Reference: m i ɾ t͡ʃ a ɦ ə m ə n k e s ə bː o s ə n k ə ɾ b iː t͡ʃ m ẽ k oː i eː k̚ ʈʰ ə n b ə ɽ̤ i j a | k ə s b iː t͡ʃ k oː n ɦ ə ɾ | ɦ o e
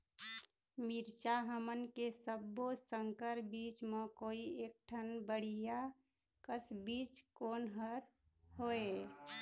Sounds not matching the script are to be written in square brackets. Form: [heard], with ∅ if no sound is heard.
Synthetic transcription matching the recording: m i ɾ t͡ʃ a ɦ ə m ə n k e s ə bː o s ə [ŋ] k ə ɾ b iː t͡ʃ m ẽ k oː i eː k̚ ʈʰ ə n b ə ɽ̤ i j a | k ə s b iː t͡ʃ k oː n ɦ ə ɾ | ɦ o e